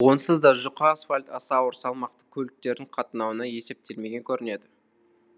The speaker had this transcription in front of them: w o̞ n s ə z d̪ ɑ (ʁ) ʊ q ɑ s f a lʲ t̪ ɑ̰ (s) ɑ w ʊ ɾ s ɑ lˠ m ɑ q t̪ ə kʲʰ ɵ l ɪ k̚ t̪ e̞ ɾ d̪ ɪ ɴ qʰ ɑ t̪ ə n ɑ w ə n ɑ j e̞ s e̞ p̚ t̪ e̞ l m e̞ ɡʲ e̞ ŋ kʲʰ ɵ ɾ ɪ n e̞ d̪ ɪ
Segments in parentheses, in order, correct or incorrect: incorrect: ʒ, correct

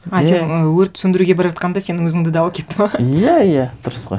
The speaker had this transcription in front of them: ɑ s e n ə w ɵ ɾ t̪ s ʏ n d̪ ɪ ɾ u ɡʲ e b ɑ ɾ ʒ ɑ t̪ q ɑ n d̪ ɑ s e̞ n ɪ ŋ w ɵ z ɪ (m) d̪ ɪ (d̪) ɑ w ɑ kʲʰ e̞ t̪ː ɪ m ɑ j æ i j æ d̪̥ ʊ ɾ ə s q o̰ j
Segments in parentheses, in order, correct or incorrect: incorrect: ŋ, correct

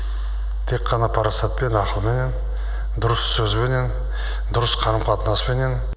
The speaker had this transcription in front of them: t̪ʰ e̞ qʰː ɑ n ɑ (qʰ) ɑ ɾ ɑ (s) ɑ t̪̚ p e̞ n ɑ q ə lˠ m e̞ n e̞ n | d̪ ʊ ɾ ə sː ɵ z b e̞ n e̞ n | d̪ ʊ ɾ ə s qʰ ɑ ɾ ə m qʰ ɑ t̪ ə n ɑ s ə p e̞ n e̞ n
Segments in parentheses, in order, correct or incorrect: incorrect: pʰ, correct

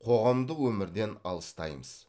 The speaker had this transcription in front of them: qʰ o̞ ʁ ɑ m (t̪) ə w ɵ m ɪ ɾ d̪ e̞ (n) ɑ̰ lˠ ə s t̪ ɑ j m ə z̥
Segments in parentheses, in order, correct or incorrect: incorrect: d̪, correct

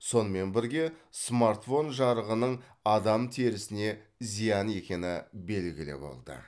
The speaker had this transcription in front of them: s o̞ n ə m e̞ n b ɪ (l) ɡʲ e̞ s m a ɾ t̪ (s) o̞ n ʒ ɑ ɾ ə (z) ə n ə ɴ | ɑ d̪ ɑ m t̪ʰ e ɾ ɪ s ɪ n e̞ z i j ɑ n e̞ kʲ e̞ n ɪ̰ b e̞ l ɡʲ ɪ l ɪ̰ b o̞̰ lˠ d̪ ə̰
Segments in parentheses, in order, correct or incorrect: incorrect: ɾ, incorrect: f, incorrect: ʁ

